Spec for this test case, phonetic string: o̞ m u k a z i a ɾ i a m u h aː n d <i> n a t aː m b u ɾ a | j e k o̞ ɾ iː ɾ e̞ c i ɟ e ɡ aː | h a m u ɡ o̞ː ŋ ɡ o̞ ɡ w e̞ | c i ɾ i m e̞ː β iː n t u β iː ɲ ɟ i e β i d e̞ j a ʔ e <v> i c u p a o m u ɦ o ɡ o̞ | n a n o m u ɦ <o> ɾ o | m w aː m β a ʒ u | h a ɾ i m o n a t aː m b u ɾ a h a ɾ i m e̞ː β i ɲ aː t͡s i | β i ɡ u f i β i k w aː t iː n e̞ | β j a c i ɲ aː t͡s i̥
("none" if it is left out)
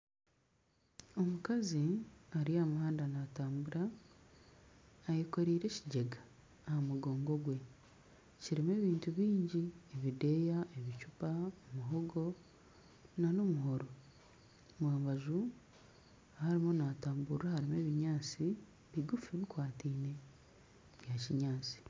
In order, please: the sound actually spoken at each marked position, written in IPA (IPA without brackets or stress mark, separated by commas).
a, β, o